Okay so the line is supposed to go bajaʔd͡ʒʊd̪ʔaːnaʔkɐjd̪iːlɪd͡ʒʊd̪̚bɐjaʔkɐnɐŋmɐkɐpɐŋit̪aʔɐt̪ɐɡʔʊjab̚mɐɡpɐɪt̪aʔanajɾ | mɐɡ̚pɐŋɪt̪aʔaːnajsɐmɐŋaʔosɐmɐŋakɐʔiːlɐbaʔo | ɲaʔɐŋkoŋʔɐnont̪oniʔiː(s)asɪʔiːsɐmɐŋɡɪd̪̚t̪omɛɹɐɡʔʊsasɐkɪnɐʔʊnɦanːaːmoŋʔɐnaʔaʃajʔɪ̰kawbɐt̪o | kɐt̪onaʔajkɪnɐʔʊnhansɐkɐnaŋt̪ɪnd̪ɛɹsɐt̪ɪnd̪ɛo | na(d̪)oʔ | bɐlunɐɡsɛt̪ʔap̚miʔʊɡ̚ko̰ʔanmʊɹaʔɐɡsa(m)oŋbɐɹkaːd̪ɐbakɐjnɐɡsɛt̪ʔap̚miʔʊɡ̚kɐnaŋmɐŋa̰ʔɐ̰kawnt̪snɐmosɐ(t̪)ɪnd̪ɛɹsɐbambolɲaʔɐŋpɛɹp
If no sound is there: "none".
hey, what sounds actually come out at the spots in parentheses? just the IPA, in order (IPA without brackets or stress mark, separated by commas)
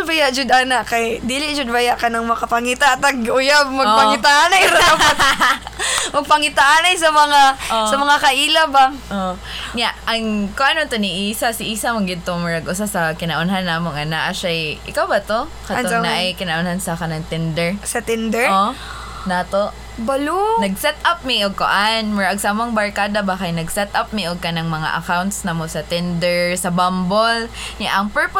s, t̪, m, t̪